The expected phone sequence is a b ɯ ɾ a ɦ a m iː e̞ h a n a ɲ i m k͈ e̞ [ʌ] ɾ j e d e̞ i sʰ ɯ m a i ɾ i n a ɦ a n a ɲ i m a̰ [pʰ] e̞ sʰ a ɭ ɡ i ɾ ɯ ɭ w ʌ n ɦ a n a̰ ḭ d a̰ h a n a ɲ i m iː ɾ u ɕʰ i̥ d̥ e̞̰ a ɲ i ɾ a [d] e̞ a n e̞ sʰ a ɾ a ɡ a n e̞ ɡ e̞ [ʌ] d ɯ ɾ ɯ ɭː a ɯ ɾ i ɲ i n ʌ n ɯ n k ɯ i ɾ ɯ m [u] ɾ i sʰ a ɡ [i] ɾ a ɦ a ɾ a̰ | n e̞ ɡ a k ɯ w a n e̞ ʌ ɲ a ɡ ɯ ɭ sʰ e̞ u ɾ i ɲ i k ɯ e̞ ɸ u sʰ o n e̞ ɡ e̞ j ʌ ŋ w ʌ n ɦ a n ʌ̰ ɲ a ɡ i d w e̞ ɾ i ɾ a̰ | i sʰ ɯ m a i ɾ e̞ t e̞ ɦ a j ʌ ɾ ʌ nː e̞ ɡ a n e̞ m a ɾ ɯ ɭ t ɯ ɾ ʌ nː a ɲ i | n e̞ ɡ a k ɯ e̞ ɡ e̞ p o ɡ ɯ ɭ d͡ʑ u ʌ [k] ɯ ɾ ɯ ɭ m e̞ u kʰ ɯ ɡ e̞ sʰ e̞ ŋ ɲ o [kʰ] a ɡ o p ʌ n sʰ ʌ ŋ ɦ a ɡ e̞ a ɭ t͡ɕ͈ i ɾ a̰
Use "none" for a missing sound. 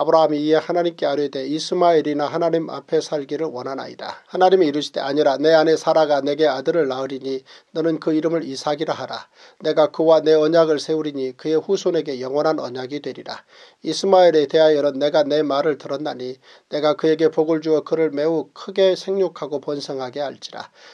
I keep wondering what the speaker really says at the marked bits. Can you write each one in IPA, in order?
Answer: a, pʰ, n, a, ɯ, i, k, kʰ

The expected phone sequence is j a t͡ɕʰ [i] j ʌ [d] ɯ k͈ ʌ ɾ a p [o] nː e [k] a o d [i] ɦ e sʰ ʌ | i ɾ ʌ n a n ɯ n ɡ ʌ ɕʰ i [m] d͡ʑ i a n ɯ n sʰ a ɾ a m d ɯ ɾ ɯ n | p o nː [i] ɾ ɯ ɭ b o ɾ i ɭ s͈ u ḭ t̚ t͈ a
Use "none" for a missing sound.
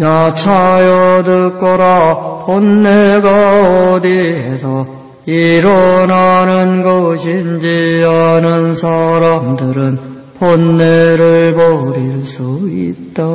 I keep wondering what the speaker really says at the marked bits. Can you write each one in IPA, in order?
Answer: a, d, o, ɡ, i, n, e

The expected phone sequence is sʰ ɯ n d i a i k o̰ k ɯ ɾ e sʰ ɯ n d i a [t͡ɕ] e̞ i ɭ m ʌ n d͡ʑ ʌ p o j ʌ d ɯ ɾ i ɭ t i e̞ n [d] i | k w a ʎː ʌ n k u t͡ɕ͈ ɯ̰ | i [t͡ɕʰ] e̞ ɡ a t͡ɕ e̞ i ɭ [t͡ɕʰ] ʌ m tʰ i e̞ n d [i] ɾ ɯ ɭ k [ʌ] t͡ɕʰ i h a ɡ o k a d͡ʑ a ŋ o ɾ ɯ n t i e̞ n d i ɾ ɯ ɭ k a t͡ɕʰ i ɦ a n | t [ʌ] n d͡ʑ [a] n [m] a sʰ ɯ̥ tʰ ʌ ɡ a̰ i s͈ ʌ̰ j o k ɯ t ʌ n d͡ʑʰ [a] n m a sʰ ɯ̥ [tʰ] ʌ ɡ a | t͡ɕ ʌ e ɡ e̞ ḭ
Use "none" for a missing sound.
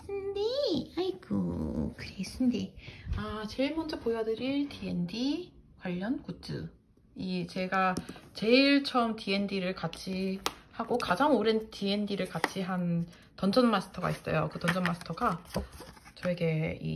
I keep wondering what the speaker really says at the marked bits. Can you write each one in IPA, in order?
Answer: t͡ɕ, d, t͡ɕ, t͡ɕʰ, i, a, ʌ, ʌ, m, ʌ, tʰ

